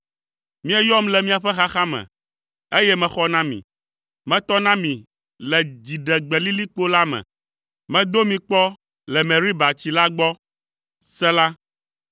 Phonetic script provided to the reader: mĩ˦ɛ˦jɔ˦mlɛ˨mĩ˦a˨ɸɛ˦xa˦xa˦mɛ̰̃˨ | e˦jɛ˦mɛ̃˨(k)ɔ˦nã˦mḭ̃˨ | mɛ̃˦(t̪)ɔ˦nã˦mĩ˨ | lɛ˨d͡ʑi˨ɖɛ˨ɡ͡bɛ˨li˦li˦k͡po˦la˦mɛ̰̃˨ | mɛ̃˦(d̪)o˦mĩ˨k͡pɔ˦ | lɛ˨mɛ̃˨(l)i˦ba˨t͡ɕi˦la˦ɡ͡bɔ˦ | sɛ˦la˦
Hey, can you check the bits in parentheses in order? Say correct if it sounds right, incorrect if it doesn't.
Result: incorrect: x, correct, correct, incorrect: ɾ

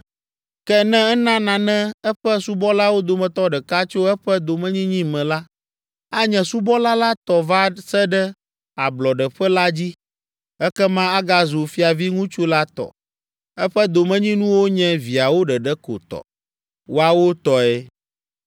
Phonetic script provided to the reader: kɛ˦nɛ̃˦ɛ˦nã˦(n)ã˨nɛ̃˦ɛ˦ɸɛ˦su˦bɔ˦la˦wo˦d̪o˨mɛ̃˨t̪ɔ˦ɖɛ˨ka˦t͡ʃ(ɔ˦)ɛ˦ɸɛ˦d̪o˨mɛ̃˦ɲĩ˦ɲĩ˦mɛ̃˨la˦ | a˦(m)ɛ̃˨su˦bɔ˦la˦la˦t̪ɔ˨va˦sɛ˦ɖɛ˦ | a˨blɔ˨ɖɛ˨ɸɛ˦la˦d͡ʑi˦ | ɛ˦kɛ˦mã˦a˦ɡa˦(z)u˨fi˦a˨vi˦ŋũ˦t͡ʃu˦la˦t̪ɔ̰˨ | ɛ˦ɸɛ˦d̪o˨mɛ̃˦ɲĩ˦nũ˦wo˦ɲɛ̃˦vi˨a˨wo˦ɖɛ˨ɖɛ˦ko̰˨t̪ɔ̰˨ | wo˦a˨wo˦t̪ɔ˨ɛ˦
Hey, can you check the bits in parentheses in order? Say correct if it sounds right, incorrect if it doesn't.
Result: correct, incorrect: o˦, incorrect: ɲ, correct

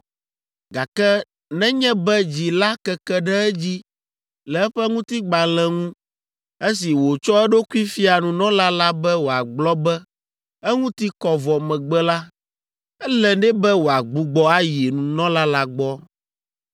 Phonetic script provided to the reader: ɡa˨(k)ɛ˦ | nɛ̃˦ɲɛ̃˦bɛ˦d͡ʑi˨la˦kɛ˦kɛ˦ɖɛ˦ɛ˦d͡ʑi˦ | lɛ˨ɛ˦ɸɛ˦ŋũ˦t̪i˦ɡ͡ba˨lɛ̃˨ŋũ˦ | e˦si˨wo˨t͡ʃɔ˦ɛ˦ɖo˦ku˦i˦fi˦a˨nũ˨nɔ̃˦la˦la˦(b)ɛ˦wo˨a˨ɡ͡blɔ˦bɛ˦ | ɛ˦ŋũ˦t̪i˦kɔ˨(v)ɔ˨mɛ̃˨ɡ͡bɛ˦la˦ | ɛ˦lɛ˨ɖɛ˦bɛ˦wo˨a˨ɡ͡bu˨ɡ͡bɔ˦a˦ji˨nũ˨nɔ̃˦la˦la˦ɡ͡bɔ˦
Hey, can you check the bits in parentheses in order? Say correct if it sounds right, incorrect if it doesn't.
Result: correct, correct, correct

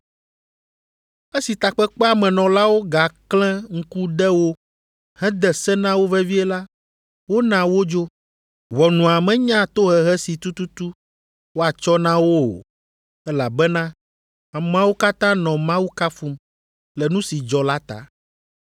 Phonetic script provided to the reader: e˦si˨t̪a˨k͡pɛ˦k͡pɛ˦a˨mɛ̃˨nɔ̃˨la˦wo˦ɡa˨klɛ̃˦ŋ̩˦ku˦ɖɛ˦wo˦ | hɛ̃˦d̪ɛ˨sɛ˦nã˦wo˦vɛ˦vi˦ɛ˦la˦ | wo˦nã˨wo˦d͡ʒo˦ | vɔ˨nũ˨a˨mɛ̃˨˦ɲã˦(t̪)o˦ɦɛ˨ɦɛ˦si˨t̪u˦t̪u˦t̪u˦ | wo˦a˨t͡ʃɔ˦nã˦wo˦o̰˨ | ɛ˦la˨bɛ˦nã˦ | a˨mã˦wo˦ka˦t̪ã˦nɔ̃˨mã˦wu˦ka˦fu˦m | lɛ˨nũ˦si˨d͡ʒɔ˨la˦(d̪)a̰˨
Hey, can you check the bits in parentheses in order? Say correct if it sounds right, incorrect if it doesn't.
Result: correct, incorrect: t̪

